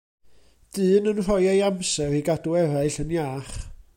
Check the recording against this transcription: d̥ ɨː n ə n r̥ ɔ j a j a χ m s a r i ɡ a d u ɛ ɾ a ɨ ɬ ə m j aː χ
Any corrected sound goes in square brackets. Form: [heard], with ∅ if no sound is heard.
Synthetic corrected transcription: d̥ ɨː n ə n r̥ ɔ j a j a [∅] m s [ɛ] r i ɡ a d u ɛ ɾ a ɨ ɬ ə [n] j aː χ